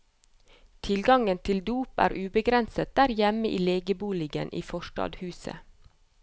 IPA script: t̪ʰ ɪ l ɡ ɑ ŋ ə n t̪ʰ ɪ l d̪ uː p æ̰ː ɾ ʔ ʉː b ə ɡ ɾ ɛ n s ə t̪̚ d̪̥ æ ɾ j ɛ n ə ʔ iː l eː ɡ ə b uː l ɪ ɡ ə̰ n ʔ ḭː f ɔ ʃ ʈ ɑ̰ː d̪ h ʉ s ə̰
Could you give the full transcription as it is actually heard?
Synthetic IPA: t̪ʰ ɪ l ɡ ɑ ŋ ə n t̪ʰ ɪ l d̪ uː p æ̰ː ɾ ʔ ʉː b ə ɡ ɾ ɛ n s ə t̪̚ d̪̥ æ ɾ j ɛ m ə ʔ iː l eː ɡ ə b uː l ɪ ɡ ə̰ n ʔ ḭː f ɔ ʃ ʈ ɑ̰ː d̪ h ʉː s ə̰